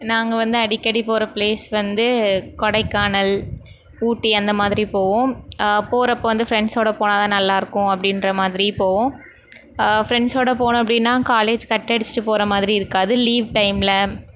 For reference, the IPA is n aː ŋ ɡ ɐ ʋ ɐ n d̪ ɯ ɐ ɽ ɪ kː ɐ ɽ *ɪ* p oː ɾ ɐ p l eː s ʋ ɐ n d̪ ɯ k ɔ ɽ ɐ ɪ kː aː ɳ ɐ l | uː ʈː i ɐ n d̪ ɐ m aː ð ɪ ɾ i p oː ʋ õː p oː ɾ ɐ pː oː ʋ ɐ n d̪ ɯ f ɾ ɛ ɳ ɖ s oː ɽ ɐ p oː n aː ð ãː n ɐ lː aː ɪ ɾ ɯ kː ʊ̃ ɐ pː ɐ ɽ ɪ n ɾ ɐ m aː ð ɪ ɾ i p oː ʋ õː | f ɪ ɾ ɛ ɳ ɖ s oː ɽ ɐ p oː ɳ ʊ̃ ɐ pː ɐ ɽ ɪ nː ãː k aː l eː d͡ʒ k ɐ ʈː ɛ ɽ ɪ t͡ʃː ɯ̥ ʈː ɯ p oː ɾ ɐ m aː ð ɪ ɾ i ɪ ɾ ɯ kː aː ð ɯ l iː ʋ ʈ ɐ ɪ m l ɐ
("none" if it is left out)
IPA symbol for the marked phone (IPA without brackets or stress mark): i